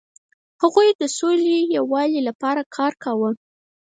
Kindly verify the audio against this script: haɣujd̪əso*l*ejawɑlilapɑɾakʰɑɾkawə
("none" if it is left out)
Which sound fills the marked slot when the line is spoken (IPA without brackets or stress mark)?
l